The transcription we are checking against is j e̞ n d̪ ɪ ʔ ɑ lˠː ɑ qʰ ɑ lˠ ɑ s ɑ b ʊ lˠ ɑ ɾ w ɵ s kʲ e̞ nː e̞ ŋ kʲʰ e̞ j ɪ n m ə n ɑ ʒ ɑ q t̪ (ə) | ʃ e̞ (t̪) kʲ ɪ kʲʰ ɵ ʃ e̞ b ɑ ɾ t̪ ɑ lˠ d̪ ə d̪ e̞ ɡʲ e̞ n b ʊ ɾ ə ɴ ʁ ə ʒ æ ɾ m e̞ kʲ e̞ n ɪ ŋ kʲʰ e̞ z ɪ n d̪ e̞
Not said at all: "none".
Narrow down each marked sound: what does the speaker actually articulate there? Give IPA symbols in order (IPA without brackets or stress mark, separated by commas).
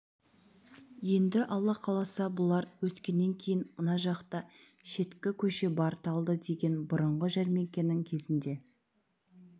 ɑ, t̪